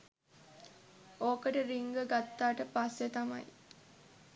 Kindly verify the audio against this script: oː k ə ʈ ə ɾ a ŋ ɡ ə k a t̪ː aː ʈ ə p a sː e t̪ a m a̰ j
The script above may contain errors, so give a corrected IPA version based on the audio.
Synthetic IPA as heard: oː k ə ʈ ə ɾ i ŋ ɡ ə ɡ a t̪ː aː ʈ ə p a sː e t̪ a m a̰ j